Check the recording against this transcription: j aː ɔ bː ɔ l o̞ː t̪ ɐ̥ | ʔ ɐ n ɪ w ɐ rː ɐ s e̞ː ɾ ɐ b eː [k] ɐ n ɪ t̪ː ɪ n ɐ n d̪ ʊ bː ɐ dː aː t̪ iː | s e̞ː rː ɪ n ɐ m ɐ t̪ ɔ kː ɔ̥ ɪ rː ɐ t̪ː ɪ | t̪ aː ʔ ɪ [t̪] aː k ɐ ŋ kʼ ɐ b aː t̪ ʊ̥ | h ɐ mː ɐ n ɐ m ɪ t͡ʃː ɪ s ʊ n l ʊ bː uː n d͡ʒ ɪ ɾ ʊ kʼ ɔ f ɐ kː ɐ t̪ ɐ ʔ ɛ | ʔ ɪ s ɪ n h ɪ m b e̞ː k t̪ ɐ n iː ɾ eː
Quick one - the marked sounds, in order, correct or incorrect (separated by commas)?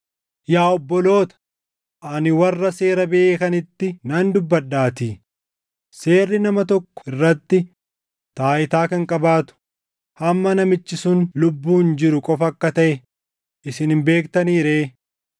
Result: correct, correct